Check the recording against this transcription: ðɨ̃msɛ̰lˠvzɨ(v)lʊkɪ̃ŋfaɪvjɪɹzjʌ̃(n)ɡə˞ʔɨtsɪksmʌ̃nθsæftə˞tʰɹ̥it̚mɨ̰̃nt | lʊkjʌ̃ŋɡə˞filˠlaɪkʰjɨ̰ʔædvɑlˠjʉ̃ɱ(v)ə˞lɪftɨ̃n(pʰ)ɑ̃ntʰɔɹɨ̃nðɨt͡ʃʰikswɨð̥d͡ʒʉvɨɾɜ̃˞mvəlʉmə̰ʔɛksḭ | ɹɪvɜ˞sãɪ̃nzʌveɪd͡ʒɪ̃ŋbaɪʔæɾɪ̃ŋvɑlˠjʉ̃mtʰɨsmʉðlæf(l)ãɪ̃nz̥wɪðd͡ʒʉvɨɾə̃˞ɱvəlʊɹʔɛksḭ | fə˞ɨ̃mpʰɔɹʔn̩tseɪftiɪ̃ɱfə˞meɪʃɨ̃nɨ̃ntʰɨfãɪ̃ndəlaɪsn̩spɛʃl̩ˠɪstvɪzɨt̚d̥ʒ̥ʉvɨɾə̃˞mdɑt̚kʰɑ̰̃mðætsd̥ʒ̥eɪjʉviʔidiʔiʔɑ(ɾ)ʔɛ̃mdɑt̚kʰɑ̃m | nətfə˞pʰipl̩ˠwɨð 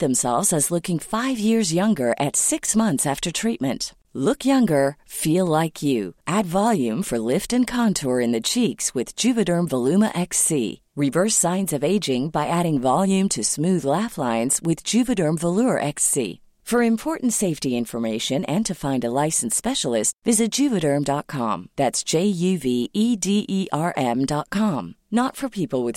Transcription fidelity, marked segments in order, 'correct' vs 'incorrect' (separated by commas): incorrect, incorrect, incorrect, incorrect, correct, incorrect